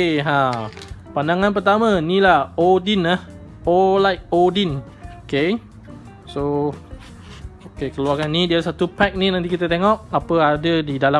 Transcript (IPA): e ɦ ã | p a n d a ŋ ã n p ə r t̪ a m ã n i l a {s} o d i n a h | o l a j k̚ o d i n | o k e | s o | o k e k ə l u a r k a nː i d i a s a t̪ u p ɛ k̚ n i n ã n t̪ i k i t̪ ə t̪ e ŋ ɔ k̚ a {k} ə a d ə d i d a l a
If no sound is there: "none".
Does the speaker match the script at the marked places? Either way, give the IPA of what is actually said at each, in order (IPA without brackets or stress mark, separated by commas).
h, p